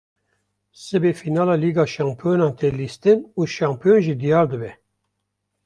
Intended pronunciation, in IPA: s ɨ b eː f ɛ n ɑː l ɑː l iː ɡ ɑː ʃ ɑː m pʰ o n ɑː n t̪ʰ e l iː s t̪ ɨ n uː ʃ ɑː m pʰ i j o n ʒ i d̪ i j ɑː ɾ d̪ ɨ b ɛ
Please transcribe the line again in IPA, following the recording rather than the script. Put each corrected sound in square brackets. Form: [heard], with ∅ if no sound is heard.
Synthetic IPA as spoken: s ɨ b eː f [i] n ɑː l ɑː l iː ɡ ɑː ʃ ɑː m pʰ o n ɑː n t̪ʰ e l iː s t̪ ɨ n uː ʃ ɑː m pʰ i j o n ʒ i d̪ i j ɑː ɾ d̪ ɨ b ɛ